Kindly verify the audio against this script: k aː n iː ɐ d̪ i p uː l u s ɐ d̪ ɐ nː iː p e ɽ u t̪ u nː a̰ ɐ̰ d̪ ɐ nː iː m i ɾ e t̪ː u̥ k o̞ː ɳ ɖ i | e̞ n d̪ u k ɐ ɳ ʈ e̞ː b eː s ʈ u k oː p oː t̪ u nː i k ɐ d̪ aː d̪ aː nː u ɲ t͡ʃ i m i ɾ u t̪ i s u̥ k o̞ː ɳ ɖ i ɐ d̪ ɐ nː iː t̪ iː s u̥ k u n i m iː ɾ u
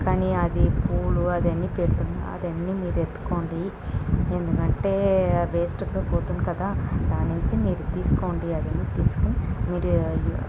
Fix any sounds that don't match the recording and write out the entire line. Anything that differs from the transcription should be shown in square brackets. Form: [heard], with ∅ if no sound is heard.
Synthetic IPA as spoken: k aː n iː ɐ d̪ i p uː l u [∅] ɐ d̪ ɐ nː iː p e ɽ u t̪ u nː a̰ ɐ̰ d̪ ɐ nː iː m [iː] ɾ e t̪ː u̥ k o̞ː ɳ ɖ i | e̞ n d̪ u k ɐ ɳ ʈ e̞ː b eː s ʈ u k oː p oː t̪ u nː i k ɐ d̪ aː d̪ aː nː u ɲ t͡ʃ i m [iː] ɾ u t̪ [iː] s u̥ k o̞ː ɳ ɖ i ɐ d̪ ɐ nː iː t̪ iː s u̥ k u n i m iː ɾ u